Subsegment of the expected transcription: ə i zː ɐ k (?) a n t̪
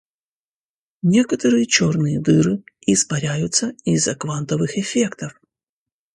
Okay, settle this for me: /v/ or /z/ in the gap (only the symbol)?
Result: v